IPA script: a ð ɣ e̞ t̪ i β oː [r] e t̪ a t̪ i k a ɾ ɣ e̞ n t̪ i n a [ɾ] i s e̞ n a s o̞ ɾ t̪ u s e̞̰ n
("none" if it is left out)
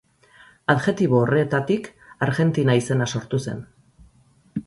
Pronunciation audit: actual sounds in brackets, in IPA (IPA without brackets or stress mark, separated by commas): r, none